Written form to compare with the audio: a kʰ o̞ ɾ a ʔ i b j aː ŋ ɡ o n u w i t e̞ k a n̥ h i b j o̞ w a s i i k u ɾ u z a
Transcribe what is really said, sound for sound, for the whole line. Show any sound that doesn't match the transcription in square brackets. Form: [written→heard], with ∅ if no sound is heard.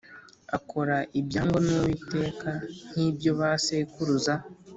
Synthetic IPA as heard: a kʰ o̞ ɾ a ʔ i b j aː ŋ ɡ o n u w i t e̞ k a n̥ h i b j o̞ [w→β] a s [i→e] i k u ɾ u z a